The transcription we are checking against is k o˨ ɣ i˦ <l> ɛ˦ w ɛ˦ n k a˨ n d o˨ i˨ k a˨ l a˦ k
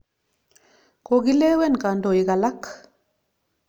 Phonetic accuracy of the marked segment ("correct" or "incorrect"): correct